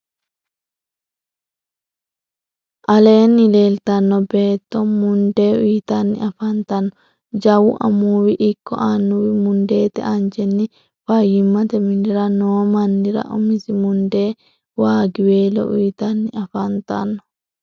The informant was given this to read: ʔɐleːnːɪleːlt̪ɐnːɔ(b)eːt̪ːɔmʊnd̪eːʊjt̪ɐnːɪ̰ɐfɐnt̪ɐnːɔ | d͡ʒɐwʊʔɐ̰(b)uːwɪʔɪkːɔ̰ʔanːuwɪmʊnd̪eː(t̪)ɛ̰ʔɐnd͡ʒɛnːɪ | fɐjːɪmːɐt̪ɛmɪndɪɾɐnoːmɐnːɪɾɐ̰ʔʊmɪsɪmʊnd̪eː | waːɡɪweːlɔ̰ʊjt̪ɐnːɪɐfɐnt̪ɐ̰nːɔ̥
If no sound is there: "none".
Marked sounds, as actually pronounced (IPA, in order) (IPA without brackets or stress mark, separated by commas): b, m, t̪